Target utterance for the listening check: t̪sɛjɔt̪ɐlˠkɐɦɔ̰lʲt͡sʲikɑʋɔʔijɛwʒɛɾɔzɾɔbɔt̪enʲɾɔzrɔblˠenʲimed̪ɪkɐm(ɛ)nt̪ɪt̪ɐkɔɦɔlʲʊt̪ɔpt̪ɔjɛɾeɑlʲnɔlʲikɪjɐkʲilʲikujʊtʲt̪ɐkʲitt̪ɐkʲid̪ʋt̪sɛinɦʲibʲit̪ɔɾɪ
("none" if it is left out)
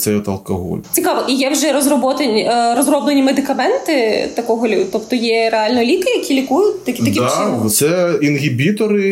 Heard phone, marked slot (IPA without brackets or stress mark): ɛ